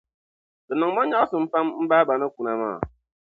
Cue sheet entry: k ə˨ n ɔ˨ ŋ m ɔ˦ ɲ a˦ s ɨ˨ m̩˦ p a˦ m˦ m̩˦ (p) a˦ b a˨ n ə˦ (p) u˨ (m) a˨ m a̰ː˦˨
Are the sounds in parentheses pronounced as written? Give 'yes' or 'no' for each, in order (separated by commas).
no, no, no